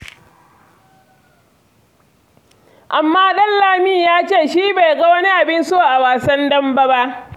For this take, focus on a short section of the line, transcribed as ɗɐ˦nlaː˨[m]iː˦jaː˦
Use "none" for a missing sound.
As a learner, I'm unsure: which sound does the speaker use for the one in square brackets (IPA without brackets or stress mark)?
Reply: m